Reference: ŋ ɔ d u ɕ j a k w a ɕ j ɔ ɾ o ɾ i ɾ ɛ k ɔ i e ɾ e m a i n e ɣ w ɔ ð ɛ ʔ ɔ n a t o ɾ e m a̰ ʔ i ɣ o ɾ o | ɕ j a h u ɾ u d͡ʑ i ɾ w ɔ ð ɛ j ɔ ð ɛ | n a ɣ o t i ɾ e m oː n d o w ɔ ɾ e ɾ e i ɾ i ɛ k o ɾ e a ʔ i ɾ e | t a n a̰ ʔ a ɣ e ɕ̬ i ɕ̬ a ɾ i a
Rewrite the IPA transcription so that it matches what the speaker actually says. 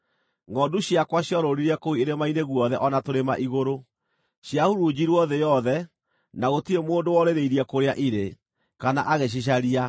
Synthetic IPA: ŋ ɔ d u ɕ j a k w a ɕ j ɔ ɾ o ɾ i ɾ ɛ k o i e ɾ e m a i n e ɣ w ɔ ð ɛ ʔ ɔ n a t o ɾ e m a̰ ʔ i ɣ o ɾ o | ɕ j a h u ɾ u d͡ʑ i ɾ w ɔ ð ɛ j ɔ ð ɛ | n a ɣ o t i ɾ e m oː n d o w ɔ ɾ e ɾ e i ɾ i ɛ k o ɾ e a ʔ i ɾ e | k a n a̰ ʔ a ɣ e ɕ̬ i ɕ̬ a ɾ i a